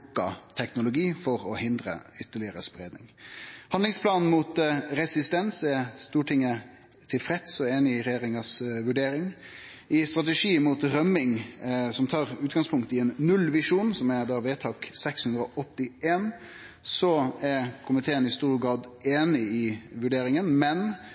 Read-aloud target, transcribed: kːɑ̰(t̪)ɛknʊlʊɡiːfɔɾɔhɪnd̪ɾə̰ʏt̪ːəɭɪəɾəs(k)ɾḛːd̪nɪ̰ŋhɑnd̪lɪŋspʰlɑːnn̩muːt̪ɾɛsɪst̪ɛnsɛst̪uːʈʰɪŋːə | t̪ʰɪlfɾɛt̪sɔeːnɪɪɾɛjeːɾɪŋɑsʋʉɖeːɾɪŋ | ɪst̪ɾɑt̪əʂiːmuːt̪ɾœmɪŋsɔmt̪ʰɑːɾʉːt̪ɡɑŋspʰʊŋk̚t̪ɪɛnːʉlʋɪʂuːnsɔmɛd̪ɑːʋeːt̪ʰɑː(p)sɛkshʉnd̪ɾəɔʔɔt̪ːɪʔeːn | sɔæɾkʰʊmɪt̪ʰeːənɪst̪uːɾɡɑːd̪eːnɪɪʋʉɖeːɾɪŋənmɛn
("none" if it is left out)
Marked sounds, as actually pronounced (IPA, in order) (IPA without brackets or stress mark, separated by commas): t̪ʰ, p, k